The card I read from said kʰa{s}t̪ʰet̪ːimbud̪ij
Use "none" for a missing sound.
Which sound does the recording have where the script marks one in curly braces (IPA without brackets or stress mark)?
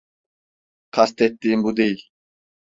s